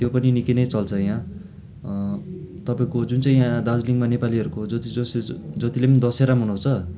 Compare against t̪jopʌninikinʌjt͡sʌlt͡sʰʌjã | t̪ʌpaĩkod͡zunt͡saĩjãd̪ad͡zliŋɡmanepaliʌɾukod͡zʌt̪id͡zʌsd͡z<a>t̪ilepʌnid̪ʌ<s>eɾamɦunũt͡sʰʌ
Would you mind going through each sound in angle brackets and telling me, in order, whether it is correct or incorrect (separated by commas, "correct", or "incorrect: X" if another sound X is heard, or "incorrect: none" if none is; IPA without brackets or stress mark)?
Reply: incorrect: ʌ, correct